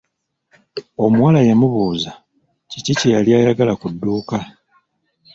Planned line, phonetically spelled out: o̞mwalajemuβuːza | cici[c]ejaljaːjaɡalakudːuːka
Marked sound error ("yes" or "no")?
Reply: no